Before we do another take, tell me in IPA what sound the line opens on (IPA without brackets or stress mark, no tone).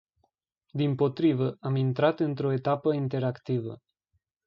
d̪